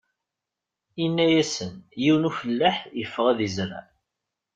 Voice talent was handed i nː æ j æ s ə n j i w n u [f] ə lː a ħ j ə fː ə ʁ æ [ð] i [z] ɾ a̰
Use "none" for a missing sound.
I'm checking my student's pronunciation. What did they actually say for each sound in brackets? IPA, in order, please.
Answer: f, ð, z

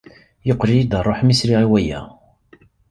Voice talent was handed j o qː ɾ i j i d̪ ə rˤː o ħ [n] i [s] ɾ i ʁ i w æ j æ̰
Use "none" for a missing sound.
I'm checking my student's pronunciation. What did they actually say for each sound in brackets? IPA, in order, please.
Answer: m, s

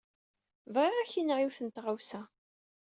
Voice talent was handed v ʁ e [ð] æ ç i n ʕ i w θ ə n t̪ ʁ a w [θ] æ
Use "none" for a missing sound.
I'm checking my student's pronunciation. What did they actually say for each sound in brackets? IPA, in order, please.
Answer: ʁ, s

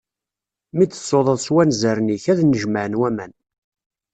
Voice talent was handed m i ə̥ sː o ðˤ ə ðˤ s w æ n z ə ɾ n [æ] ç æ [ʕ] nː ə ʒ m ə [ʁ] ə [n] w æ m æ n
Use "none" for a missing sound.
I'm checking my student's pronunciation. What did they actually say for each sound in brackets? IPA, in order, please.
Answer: i, ð, ʕ, n

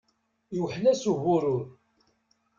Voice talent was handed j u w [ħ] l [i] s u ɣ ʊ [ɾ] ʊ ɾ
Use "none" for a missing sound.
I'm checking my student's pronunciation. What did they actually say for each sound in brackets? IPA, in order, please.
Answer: ħ, æ, ɾ

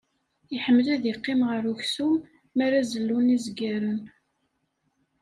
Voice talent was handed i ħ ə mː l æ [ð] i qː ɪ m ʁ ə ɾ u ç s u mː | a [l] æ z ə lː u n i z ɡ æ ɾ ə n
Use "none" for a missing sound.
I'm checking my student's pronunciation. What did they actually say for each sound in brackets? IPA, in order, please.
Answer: ð, ɾ

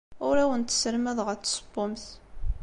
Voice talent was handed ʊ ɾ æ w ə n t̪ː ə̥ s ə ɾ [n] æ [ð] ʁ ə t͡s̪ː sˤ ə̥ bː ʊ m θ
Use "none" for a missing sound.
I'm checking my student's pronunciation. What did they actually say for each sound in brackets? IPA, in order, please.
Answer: m, ð

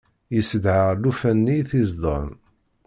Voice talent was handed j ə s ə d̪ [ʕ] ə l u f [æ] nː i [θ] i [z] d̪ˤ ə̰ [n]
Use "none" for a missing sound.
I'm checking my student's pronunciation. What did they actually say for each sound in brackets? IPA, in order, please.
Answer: ʕ, æ, θ, z, n

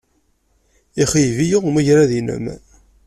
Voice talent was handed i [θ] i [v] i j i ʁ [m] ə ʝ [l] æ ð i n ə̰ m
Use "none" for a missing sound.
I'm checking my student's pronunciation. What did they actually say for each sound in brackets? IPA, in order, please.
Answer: χ, v, m, ɾ

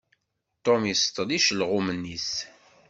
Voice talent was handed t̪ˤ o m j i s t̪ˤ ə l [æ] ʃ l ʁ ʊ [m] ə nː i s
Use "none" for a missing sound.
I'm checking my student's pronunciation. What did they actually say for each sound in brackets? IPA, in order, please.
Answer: i, m

